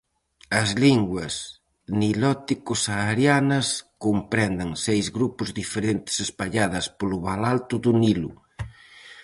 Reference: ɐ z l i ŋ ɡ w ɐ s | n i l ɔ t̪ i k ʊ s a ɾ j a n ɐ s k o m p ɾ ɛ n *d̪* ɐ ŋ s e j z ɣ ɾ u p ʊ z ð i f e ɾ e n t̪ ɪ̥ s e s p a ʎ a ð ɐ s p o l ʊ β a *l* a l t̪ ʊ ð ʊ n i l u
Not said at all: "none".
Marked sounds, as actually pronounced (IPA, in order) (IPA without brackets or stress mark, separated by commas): d̪, l